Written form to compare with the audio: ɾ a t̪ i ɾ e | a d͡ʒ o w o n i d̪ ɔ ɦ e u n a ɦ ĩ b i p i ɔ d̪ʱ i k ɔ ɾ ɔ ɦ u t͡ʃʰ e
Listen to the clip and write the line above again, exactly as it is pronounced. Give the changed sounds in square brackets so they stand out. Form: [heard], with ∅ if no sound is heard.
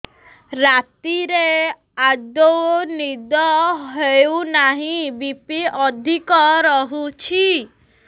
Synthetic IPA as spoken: ɾ a t̪ i ɾ e | a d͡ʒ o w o n i d̪ ɔ ɦ e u n a ɦ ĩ b i p i ɔ d̪ʱ i k ɔ ɾ ɔ ɦ u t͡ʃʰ [i]

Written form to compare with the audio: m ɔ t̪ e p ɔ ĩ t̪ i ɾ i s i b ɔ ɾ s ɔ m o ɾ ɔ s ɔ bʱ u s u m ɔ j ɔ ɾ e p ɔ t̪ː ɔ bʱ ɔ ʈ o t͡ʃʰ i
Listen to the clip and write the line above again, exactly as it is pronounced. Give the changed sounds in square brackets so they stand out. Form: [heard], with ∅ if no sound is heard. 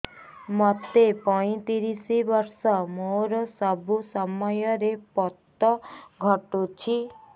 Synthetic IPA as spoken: m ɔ t̪ e p ɔ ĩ t̪ i ɾ i s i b ɔ ɾ s ɔ m o ɾ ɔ s ɔ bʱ u s [ɔ] m ɔ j ɔ ɾ e p ɔ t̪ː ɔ [ɡʱ] ɔ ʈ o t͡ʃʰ i

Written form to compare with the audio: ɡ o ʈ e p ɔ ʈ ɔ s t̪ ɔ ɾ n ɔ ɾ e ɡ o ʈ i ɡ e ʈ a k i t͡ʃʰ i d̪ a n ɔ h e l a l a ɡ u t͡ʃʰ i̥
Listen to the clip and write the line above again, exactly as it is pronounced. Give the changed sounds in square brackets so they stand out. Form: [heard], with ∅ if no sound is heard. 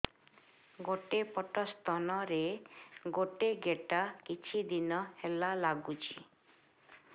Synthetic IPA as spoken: ɡ o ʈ e p ɔ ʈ ɔ s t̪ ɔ [∅] n ɔ ɾ e ɡ o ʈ [e] ɡ e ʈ a k i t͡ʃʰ i d̪ [i] n ɔ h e l a l a ɡ u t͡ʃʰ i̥

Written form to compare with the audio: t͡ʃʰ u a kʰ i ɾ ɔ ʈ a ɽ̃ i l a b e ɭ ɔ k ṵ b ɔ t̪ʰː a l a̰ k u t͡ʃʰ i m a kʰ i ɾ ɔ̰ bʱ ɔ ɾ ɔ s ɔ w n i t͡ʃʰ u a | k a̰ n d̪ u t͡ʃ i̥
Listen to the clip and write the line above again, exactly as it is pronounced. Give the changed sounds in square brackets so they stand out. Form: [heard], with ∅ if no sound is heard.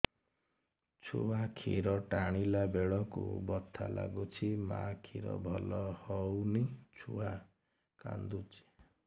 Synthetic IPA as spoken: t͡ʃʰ u a kʰ i ɾ ɔ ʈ a ɽ̃ i l a b e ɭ ɔ k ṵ b ɔ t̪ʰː a l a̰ [ɡ] u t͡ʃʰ i m a kʰ i ɾ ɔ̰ bʱ ɔ [l] ɔ [h] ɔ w n i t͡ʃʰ u a | k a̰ n d̪ u t͡ʃ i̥

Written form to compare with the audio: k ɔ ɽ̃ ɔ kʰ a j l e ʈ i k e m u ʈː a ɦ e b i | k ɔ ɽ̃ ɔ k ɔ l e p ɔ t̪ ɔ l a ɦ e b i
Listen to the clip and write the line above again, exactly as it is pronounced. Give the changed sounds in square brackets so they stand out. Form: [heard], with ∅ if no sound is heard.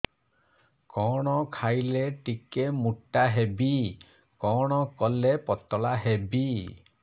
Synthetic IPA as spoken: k ɔ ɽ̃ ɔ kʰ a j l e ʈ i k e m u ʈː a ɦ e b i | k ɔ ɽ̃ ɔ k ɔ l e p ɔ t̪ ɔ l a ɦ e b i

